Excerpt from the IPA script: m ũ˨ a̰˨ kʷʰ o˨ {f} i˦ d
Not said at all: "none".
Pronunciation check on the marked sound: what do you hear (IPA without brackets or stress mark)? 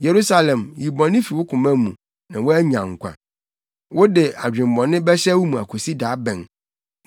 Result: s